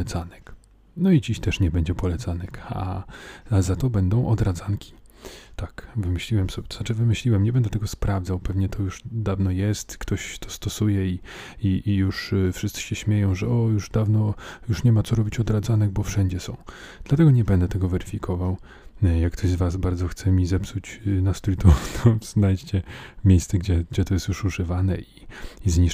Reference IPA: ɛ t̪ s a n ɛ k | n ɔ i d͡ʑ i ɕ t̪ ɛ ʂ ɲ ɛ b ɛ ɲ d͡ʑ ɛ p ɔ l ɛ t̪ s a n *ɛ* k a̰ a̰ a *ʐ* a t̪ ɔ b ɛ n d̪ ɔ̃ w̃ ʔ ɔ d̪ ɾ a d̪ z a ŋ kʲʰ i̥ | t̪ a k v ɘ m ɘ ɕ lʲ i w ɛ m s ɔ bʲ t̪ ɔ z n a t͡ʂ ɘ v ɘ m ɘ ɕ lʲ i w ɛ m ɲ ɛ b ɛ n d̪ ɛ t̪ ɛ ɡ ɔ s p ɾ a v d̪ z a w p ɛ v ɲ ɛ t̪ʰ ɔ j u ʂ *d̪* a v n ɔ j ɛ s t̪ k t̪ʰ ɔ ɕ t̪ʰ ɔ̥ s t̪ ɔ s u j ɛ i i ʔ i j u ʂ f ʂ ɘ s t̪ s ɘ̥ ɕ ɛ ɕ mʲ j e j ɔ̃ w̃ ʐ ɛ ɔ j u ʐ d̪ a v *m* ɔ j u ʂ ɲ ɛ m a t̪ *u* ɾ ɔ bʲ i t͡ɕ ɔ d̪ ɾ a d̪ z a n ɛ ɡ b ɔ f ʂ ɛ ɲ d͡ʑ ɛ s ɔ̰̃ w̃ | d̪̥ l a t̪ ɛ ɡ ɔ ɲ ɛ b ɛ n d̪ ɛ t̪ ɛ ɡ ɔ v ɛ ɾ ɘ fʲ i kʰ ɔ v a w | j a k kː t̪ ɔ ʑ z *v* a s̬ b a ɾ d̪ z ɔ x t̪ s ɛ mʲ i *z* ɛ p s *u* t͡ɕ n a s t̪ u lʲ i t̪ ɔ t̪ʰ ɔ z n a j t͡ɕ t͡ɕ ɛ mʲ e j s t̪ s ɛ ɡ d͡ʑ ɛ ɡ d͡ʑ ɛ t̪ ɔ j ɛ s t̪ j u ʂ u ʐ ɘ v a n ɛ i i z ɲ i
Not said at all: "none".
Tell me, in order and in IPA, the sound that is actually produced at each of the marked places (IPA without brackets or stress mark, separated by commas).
ɛ, z, d̪, n, ɔ, v, z, u